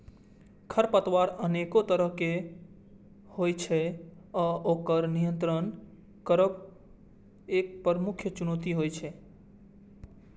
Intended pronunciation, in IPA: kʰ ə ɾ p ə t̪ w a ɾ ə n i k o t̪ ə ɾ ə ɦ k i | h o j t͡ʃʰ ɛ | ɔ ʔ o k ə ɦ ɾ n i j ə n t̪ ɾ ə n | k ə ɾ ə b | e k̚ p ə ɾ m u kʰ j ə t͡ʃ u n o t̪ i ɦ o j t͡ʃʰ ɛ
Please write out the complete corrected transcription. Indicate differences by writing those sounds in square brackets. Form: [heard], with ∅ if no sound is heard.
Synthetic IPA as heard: kʰ ə ɾ p ə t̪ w a ɾ ə n [e] k o t̪ ə ɾ ə ɦ k [e] | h o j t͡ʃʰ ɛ | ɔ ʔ o k ə [∅] ɾ n i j ə n t̪ ɾ ə n | k ə ɾ ə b | e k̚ p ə ɾ m u kʰ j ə t͡ʃ u n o t̪ i ɦ o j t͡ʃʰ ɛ